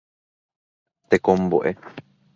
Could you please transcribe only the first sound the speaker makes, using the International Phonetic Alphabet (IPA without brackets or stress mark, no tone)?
t̪